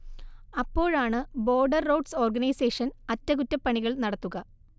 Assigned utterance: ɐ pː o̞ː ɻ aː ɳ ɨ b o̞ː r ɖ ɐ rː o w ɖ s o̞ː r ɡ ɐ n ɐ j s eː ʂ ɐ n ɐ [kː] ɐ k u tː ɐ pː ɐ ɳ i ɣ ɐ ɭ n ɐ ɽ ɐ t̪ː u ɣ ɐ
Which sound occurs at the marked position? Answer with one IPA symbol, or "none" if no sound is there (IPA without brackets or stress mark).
tː